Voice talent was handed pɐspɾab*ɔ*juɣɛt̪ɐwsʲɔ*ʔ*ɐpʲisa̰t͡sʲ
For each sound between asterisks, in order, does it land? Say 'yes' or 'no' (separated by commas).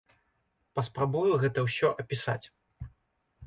no, yes